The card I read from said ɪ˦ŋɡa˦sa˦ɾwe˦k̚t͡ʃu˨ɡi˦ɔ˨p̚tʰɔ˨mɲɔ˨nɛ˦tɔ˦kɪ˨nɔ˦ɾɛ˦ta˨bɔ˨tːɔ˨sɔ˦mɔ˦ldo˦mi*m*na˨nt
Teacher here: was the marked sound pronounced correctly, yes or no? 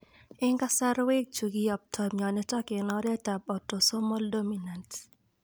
no